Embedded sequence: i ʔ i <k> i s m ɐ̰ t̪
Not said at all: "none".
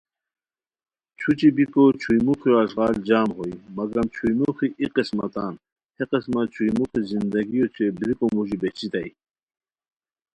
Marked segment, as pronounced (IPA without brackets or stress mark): q